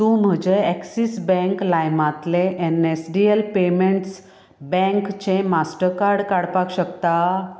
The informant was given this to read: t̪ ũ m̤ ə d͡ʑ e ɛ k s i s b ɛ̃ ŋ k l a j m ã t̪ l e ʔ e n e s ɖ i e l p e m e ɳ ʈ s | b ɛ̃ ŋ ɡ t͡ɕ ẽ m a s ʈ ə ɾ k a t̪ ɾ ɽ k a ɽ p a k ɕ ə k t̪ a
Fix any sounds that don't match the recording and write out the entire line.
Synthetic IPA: t̪ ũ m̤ ə d͡ʑ e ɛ k s i s b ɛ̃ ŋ k l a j m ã t̪ l e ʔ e n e s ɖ i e l p e m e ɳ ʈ s | b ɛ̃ ŋ k t͡ɕ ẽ m a s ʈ ə ɾ k a ɾ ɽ k a ɽ p a k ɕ ə k t̪ a